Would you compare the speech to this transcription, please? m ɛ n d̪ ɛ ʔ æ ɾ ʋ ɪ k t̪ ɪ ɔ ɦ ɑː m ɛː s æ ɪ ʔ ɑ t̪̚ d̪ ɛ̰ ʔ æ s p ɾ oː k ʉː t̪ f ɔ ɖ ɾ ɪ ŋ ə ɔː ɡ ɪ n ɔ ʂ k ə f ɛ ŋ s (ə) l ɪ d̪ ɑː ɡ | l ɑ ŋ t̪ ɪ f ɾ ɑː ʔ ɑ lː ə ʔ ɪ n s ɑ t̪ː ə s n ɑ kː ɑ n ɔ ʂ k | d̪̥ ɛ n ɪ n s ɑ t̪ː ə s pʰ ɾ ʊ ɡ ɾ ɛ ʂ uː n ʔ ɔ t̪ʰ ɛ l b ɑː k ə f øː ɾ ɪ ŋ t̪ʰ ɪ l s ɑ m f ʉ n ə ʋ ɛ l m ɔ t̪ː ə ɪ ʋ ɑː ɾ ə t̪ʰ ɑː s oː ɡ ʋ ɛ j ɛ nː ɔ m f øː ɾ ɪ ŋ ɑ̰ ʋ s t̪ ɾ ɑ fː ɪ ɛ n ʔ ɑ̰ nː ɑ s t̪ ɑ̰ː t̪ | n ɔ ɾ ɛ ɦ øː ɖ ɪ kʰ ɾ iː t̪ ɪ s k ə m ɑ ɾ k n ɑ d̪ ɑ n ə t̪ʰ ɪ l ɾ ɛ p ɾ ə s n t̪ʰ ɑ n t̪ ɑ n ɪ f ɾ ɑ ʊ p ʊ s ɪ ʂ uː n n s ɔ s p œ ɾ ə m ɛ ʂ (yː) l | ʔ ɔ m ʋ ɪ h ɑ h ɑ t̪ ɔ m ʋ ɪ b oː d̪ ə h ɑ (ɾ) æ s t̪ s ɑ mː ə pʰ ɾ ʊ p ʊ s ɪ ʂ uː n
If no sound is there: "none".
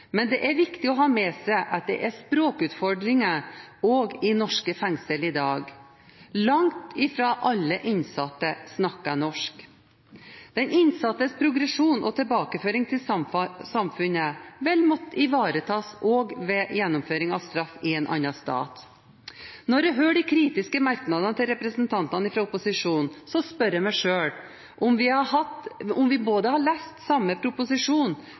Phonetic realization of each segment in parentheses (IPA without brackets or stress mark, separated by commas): ə, øː, ɭ